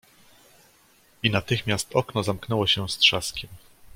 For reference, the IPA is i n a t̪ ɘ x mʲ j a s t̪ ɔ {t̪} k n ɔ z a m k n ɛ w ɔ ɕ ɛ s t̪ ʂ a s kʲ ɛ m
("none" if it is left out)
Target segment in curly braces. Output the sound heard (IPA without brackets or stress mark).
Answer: none